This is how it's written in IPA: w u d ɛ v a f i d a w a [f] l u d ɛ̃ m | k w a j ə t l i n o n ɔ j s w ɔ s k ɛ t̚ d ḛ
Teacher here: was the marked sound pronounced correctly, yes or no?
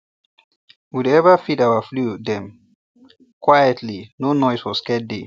yes